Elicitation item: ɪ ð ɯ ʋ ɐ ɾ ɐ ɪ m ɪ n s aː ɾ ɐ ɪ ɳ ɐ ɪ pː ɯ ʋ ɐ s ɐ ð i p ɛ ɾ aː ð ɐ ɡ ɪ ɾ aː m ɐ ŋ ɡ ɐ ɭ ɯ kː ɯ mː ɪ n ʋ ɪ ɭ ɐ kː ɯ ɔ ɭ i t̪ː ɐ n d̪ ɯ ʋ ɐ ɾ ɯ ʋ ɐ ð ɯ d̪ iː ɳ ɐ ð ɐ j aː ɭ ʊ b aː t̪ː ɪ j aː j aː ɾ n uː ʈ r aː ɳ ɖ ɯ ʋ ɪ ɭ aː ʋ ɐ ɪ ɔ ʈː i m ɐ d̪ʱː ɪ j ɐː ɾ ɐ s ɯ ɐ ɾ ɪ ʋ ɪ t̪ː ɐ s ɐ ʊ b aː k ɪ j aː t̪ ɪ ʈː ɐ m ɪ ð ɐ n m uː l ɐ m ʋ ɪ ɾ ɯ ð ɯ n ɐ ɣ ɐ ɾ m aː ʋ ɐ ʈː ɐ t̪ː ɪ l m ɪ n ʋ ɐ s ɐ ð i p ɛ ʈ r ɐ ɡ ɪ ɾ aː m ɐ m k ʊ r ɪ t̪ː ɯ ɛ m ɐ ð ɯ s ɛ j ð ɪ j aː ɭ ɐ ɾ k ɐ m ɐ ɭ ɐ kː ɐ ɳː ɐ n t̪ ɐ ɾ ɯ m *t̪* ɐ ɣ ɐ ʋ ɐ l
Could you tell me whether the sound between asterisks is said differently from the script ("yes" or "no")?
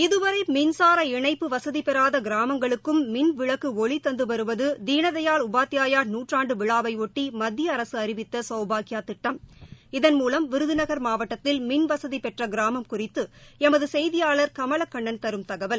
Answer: no